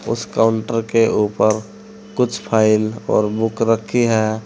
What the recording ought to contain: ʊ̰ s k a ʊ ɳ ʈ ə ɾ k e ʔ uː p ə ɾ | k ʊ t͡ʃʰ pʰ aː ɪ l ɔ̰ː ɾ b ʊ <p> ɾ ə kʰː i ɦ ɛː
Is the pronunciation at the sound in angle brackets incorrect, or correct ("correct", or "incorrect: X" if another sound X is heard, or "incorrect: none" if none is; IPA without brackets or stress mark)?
incorrect: k